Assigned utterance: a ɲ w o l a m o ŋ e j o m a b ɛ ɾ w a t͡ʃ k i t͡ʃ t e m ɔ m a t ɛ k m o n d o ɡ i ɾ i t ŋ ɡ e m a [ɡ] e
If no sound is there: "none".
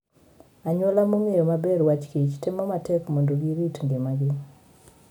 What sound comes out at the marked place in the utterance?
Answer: ɡ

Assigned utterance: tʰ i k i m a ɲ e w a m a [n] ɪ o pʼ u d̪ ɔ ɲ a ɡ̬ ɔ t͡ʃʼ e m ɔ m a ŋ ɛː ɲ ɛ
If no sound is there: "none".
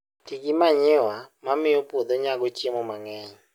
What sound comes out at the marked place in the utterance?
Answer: m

